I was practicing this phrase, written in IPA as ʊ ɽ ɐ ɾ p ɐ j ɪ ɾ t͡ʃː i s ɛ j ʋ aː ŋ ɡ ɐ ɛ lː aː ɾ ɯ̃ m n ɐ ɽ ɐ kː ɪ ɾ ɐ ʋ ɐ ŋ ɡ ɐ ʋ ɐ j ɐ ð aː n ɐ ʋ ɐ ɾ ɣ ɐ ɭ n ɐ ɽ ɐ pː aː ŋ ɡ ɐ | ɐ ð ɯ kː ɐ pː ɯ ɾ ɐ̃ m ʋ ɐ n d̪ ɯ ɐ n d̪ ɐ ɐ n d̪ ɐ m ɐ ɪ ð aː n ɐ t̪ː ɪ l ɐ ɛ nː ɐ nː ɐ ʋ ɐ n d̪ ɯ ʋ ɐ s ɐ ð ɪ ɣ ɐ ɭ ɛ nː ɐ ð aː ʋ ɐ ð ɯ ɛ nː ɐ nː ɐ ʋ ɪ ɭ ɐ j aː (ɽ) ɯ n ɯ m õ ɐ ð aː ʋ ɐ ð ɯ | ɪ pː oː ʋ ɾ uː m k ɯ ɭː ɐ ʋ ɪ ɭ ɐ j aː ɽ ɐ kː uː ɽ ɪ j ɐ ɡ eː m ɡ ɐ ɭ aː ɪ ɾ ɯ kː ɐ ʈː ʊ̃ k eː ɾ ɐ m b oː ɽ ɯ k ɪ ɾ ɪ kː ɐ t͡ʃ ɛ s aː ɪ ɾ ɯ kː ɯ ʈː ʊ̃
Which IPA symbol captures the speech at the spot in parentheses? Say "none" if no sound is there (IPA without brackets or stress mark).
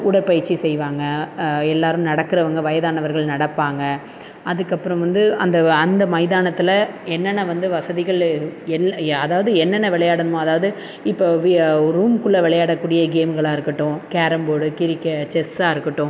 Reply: ɽ